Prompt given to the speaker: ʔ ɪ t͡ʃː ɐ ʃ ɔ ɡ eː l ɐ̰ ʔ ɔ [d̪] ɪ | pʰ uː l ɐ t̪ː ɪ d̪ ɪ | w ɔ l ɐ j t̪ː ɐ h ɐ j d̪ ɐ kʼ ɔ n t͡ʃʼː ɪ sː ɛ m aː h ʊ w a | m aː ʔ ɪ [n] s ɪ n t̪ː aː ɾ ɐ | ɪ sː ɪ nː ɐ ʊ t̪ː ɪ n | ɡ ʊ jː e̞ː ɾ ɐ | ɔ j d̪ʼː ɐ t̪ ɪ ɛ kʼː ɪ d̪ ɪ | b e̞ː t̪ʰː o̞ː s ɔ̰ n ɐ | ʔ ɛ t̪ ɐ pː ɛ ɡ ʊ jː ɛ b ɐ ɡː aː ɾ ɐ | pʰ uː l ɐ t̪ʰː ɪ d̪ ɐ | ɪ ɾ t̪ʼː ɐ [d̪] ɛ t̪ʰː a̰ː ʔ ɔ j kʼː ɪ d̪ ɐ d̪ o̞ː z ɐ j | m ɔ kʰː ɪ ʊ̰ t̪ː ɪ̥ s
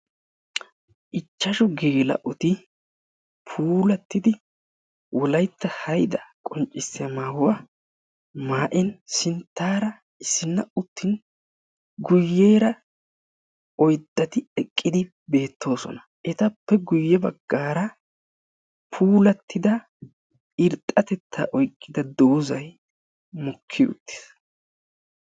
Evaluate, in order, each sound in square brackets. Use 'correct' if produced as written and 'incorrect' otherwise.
incorrect, correct, incorrect

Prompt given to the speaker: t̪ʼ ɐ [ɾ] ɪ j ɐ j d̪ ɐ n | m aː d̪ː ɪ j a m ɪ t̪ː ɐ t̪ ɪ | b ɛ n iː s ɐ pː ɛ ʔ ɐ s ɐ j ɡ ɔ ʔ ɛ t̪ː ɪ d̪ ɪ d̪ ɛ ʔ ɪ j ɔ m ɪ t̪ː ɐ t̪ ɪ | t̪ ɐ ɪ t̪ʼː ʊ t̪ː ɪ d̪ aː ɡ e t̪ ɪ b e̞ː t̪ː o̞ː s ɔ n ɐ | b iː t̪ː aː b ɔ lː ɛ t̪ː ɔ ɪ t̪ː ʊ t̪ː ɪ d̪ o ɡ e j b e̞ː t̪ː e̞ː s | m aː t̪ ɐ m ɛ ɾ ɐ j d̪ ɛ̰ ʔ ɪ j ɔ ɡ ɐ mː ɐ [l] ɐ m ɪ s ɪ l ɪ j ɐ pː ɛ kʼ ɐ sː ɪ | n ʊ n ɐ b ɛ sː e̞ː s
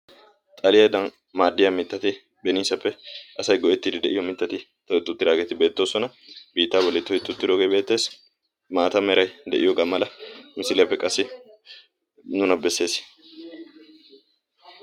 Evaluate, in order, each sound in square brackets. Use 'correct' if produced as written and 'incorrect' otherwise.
incorrect, correct

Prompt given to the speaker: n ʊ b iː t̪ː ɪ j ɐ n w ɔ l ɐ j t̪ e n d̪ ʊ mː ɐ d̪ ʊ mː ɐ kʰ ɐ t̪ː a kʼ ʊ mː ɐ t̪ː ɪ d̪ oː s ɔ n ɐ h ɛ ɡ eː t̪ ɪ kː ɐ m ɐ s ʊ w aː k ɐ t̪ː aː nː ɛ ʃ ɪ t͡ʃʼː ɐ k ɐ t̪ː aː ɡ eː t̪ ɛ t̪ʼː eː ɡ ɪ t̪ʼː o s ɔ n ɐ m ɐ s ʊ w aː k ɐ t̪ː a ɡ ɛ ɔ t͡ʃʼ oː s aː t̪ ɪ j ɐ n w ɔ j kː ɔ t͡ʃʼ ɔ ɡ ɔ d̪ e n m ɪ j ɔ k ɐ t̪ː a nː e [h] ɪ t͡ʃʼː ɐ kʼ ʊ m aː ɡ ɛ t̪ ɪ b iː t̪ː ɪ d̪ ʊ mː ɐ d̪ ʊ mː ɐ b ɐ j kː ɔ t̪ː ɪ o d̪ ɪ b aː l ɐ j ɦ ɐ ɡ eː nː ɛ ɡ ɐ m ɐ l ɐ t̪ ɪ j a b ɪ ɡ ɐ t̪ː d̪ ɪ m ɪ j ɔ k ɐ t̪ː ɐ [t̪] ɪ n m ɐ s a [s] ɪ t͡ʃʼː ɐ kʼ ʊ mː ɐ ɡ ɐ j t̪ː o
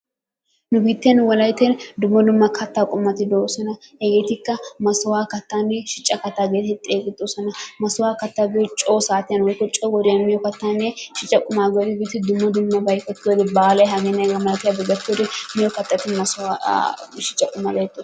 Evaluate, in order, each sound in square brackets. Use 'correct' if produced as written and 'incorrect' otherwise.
incorrect, correct, incorrect

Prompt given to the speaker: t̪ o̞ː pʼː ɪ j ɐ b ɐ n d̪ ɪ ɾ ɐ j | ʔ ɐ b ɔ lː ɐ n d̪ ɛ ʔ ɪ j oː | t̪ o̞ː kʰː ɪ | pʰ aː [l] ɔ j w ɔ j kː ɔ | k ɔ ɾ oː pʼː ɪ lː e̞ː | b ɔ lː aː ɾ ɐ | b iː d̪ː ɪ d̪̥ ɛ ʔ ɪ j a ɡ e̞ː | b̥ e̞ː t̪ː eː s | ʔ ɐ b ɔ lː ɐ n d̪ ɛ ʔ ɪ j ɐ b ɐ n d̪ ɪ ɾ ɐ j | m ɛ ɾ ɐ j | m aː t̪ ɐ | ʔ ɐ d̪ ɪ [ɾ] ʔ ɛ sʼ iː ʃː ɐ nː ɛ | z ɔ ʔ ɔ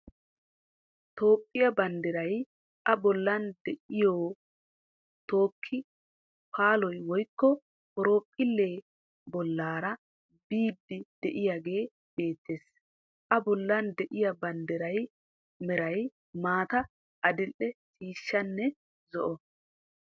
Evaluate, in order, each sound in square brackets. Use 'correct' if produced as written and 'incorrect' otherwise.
correct, incorrect

